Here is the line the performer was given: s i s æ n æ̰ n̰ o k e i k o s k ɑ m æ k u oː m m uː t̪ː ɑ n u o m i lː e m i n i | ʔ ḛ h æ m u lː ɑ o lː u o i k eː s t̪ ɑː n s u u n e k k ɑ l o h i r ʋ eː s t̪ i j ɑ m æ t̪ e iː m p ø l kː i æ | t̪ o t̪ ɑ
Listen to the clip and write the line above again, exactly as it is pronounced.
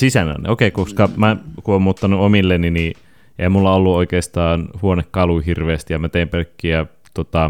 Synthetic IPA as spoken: s i s æ n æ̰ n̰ o k e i k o s k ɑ m æ k u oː m m uː t̪ː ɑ n u o m i lː e n i n i | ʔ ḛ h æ m u lː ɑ o lː u o i k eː s t̪ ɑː n h u o n e k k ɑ l u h i r ʋ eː s t̪ i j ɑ m æ t̪ e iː m p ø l kː i æ | t̪ o t̪ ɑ